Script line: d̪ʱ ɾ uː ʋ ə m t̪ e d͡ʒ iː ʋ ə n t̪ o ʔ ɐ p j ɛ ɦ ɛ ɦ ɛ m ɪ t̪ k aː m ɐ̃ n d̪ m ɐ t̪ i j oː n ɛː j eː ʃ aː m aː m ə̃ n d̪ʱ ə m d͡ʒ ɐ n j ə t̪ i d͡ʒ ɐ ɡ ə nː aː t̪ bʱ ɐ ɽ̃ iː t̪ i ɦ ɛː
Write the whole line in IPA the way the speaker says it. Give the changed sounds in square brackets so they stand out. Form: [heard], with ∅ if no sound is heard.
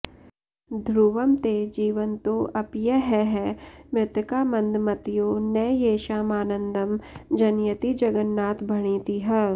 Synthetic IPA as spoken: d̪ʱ ɾ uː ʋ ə m t̪ e d͡ʒ iː ʋ ə n t̪ o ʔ ɐ p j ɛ ɦ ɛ ɦ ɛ m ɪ t̪ k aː m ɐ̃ n d̪ m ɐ t̪ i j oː n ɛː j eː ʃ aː m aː [n] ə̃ n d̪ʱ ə m d͡ʒ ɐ n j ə t̪ i d͡ʒ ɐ ɡ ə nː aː t̪ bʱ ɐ ɽ̃ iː t̪ i ɦ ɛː